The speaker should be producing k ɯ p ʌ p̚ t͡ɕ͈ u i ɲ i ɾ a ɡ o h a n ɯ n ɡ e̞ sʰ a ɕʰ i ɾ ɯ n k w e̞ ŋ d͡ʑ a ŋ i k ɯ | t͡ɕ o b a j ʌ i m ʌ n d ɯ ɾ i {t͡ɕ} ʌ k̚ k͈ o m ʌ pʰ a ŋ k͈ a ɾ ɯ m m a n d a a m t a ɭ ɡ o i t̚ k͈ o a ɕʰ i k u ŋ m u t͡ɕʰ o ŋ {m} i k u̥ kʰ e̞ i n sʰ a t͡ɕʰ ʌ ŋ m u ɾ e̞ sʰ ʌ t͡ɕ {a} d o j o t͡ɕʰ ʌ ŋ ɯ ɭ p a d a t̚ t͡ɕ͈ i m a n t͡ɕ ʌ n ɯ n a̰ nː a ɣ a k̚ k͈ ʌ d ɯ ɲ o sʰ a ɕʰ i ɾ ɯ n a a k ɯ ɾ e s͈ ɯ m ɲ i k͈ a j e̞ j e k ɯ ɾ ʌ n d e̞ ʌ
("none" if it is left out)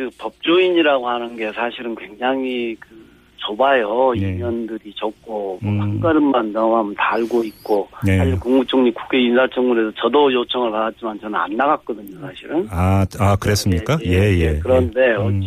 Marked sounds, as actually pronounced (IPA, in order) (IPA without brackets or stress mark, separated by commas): t͡ɕ, ɲ, ʌ